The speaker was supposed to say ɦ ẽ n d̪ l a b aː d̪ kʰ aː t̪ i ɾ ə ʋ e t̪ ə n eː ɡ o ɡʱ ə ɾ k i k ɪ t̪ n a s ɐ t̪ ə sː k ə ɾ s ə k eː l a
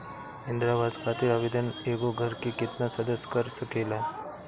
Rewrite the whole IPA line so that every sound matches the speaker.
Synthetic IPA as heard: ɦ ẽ n d̪ ɾ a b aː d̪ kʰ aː t̪ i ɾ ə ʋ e d̪ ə n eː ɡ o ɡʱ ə ɾ k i k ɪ t̪ n a s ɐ d̪ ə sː k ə ɾ s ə k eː l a